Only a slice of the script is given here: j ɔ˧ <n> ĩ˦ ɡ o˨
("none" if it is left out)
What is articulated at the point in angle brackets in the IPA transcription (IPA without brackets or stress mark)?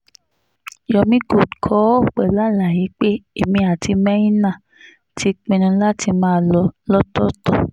m